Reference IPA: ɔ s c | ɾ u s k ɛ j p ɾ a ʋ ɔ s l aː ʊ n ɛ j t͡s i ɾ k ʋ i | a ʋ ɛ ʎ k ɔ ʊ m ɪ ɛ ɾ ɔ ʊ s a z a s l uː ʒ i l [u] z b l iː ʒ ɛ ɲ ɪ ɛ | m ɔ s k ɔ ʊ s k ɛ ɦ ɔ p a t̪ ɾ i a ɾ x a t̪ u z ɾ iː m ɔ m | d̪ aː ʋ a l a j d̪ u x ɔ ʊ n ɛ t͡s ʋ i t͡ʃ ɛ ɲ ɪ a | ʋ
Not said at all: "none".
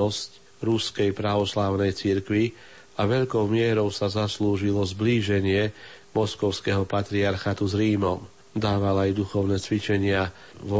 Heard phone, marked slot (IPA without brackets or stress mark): ɔ